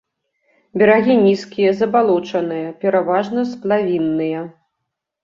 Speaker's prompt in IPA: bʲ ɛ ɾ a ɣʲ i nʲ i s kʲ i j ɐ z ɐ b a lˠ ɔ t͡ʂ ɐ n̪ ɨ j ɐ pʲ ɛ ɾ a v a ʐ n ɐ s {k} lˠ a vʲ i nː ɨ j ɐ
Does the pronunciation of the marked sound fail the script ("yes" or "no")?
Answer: yes